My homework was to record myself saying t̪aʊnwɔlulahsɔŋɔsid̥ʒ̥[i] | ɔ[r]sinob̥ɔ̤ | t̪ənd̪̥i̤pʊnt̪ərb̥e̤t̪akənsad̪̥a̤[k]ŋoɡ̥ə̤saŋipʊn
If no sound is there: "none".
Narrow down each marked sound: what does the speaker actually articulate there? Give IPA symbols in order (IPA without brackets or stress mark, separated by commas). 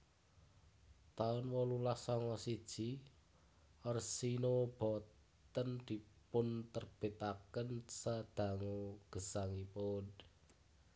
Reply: i, r, none